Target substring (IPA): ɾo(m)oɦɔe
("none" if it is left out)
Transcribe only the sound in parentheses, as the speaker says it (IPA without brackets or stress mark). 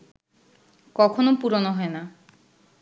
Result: n